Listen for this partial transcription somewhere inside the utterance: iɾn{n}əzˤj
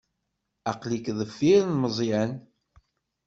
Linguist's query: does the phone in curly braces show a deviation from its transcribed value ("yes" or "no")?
yes